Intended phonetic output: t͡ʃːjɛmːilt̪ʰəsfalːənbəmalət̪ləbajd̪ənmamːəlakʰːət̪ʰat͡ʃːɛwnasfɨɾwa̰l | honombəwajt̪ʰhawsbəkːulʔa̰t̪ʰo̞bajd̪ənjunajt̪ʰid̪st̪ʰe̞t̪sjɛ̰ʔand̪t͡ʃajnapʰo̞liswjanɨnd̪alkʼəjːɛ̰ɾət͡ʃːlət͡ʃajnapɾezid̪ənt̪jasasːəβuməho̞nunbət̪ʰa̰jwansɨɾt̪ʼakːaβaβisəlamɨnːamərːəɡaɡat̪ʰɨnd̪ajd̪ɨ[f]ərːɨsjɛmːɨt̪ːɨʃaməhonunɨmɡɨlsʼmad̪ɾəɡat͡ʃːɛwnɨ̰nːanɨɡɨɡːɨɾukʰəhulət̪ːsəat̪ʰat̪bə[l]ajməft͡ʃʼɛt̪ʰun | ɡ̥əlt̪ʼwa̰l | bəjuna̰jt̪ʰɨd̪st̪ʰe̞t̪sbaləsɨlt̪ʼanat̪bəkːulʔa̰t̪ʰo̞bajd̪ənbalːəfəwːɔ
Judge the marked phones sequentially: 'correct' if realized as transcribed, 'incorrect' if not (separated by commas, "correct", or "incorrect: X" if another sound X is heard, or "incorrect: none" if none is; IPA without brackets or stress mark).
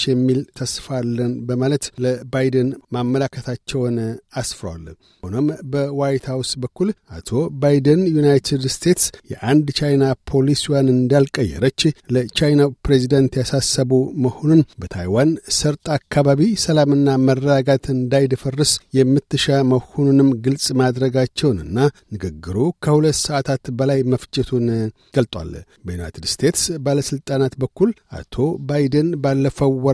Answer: correct, correct